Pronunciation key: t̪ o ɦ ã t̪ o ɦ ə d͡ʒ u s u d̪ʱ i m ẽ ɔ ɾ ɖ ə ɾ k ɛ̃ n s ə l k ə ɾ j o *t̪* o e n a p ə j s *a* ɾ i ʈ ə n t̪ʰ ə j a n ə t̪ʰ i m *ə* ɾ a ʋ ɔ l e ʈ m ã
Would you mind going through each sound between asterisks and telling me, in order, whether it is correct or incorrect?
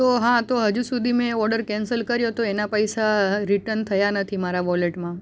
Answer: correct, correct, incorrect

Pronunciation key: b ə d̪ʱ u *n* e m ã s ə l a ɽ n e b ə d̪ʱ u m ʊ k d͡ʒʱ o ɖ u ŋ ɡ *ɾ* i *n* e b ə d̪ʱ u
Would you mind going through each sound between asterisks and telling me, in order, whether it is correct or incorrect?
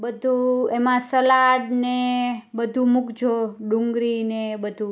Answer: incorrect, correct, correct

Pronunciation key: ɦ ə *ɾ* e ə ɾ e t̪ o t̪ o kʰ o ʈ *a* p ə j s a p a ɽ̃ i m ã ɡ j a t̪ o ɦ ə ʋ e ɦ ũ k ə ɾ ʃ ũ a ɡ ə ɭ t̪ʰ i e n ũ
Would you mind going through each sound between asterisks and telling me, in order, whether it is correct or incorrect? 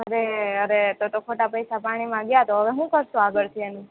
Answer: correct, correct

